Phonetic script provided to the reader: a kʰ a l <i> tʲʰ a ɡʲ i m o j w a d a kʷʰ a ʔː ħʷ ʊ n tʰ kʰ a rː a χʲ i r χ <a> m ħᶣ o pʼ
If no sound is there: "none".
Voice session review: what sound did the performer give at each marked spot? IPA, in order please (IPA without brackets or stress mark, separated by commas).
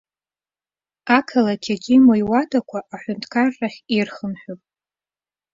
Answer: a, ə